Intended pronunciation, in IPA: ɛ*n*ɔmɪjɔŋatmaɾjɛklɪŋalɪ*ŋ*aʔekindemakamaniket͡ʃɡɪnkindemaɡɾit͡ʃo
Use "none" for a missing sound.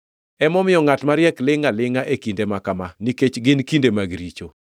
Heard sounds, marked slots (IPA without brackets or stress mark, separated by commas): m, ŋ